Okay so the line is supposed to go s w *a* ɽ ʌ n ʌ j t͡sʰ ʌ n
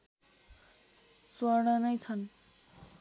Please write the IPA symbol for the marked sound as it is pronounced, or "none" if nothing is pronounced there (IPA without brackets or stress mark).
ʌ